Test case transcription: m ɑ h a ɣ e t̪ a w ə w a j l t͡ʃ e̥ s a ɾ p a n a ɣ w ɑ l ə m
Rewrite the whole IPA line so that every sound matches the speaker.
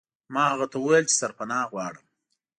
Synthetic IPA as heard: m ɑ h a ɣ a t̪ a w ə w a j l t͡ʃ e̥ s a ɾ p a n ɑ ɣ w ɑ ɽ ə m